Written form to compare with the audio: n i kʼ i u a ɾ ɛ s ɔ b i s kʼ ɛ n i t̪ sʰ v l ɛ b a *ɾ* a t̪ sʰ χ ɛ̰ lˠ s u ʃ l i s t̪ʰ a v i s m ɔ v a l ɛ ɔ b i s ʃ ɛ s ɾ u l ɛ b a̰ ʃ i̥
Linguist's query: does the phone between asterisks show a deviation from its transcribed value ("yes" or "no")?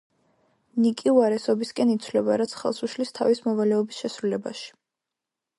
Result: no